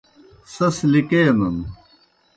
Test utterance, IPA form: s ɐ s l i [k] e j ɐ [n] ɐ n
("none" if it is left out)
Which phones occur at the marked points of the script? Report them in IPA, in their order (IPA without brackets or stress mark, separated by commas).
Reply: k, n